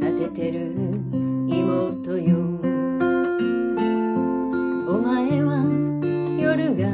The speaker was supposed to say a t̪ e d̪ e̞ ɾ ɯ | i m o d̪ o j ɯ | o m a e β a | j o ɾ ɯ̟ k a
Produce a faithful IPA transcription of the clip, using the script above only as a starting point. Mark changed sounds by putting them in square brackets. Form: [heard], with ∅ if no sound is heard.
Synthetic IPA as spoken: a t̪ e [t̪] e̞ ɾ ɯ | i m o [t̪] o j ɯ | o m a e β a | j o ɾ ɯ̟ [ɡ] a